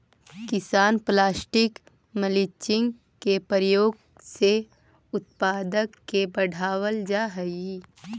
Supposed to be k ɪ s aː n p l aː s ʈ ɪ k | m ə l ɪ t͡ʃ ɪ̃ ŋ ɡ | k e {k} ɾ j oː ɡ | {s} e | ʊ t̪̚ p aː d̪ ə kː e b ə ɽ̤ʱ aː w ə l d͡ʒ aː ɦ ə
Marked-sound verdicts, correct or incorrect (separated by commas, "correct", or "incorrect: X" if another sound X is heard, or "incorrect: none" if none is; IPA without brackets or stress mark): incorrect: p, correct